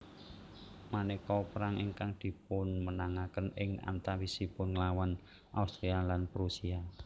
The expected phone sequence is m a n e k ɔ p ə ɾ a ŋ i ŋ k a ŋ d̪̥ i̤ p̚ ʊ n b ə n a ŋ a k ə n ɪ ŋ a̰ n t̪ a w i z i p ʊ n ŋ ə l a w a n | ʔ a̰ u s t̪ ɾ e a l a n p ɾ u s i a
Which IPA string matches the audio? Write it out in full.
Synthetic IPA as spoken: m a n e k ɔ p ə ɾ a ŋ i ŋ k a ŋ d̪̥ i̤ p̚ ʊ n m ə n a ŋ a k ə n ɪ ŋ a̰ n t̪ a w i s i p ʊ n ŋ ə l a w a n | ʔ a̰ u s t̪ ɾ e a l a n p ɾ u s i a